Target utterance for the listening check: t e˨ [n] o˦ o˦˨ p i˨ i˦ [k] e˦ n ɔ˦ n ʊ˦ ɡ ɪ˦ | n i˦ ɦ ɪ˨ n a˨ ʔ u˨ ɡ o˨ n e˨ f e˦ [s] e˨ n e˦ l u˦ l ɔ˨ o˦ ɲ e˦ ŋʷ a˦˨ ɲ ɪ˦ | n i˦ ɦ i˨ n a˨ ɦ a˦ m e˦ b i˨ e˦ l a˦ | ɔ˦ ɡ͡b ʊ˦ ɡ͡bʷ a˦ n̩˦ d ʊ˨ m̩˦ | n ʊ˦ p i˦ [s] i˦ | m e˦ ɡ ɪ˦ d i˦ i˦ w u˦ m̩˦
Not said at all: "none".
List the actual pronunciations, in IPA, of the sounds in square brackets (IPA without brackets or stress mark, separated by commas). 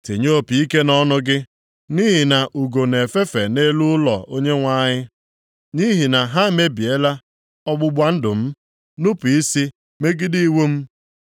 ɲ, k, f, s